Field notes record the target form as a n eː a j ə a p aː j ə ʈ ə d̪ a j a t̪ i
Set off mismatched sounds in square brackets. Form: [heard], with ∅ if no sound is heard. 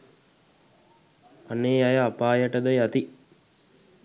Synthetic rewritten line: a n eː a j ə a p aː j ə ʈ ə d̪ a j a t̪ i